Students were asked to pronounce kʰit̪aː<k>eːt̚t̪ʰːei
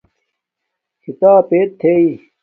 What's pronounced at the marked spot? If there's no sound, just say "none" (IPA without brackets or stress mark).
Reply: p